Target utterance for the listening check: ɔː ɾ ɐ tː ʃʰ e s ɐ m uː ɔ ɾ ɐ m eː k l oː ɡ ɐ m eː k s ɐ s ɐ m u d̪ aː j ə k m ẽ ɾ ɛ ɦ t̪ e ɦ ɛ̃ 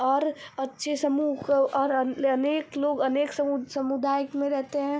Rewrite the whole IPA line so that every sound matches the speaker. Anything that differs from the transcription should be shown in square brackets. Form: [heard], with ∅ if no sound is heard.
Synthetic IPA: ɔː ɾ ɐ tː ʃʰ e s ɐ m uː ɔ ɾ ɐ [n] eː k l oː ɡ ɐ [n] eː k s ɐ s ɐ m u d̪ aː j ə k m ẽ ɾ ɛ ɦ t̪ e ɦ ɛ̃